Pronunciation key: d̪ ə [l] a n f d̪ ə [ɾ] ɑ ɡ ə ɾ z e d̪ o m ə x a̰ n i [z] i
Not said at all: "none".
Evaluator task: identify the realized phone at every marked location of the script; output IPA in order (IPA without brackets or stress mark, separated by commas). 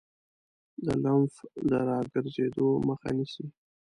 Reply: l, ɾ, s